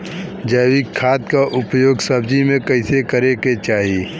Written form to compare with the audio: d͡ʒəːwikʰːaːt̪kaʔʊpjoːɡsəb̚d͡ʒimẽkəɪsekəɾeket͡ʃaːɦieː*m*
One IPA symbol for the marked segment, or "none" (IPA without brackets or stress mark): none